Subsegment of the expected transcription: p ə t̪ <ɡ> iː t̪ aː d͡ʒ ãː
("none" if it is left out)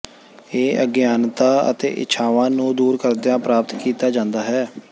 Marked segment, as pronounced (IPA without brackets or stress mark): k